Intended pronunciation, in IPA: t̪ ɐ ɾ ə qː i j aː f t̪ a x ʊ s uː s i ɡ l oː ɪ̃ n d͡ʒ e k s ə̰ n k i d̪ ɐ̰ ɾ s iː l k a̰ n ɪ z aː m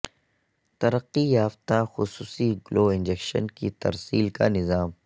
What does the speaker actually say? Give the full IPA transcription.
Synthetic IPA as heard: t̪ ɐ ɾ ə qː i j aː f t̪ a x ʊ s uː s i ɡ l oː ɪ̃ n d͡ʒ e k ʃ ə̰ n k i t̪ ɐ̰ ɾ s iː l k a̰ n ɪ z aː m